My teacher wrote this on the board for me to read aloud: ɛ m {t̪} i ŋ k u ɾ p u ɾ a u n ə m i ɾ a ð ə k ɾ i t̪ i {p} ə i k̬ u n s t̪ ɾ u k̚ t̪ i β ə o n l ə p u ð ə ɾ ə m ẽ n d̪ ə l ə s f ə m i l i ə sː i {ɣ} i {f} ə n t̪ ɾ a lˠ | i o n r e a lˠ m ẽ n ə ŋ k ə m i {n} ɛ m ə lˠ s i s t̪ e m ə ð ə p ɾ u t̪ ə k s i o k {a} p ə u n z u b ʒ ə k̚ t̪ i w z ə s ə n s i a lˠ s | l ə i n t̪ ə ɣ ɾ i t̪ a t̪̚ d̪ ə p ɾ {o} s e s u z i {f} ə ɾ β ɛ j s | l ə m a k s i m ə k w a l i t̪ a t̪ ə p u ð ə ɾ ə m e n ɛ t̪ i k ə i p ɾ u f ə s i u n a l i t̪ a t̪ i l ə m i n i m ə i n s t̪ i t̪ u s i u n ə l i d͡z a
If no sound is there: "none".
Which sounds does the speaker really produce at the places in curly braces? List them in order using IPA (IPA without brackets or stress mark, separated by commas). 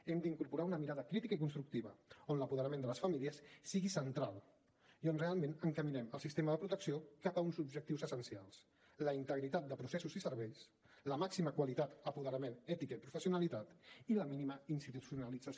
d̪, k, ɣ, s, n, a, u, s